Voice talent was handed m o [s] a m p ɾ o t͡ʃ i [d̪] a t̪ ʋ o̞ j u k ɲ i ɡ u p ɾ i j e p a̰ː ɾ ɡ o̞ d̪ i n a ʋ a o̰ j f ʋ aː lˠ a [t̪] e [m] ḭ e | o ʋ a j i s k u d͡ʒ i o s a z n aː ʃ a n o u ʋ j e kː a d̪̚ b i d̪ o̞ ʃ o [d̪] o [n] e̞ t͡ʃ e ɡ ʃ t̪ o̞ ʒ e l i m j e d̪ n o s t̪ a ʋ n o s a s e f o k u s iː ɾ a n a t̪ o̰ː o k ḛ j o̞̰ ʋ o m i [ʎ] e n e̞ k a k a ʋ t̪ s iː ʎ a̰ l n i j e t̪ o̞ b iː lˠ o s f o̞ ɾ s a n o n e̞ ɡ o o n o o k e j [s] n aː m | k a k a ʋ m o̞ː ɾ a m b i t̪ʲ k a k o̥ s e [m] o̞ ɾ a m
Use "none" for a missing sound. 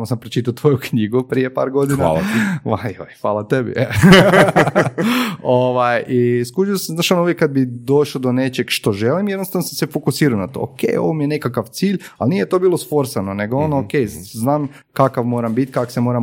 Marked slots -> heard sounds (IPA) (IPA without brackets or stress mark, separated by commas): s, t̪, t̪, b, d̪, n, j, z, m